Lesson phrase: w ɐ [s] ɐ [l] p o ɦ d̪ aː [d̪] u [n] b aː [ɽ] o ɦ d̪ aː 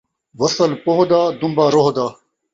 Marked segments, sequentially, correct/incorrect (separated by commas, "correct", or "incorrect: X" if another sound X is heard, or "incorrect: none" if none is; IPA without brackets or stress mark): correct, correct, correct, incorrect: m, incorrect: ɾ